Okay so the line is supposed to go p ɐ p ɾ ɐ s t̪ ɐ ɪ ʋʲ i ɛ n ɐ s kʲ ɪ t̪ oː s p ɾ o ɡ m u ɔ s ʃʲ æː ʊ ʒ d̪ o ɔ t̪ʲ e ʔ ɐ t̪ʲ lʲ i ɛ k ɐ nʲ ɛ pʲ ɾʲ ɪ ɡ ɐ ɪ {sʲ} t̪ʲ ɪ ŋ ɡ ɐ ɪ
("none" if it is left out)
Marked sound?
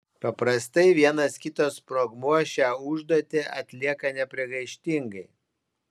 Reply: ʃʲ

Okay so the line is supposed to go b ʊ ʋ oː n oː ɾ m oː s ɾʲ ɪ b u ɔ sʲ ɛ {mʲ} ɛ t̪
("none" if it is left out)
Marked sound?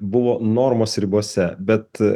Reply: bʲ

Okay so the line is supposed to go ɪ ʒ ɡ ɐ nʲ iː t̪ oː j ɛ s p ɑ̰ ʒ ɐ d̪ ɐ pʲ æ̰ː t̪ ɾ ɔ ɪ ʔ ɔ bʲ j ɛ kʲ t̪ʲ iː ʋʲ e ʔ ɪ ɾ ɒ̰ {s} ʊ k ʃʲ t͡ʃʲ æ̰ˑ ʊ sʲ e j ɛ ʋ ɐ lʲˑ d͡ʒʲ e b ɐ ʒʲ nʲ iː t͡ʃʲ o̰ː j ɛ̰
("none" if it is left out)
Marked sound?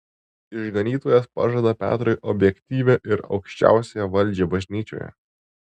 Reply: none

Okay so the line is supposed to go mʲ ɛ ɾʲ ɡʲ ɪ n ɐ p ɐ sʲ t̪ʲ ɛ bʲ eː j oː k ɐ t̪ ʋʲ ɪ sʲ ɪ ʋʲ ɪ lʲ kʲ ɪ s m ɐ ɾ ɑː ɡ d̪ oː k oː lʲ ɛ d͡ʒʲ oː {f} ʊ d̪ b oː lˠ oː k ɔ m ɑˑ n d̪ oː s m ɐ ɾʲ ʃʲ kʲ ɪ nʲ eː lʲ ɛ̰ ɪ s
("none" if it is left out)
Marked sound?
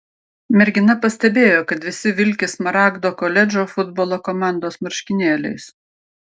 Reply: f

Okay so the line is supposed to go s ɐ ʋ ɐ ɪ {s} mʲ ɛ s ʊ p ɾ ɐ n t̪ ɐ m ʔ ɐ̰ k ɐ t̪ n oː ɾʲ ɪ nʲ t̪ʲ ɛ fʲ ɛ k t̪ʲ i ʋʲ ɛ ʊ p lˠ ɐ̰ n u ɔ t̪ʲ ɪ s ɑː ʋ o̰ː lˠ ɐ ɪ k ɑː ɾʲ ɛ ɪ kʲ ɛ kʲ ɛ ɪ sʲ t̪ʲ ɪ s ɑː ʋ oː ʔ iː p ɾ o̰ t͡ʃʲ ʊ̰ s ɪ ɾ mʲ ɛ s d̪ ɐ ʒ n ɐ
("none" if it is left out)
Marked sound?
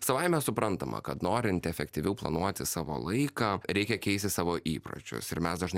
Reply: none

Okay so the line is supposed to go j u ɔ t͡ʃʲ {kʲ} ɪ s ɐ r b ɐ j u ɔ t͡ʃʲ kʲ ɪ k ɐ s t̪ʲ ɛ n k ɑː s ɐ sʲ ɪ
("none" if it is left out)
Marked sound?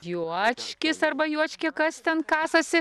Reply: kʲ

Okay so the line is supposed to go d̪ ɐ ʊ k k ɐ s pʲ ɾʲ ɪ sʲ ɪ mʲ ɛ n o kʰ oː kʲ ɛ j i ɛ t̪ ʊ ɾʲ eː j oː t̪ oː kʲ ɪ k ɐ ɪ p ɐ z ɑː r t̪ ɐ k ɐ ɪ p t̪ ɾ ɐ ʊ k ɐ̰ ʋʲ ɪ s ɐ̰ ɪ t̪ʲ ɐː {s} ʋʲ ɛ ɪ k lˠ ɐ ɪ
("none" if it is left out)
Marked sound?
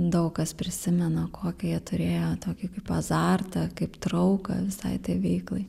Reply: none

